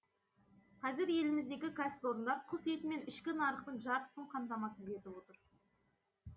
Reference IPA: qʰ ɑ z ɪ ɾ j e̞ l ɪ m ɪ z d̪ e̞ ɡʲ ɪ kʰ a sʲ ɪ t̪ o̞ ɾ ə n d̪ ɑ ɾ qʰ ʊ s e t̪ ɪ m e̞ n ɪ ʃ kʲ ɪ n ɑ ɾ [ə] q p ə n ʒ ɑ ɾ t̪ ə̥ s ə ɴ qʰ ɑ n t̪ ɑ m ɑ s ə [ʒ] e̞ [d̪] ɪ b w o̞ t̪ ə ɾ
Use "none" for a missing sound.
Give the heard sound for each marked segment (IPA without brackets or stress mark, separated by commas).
ə, z, t̪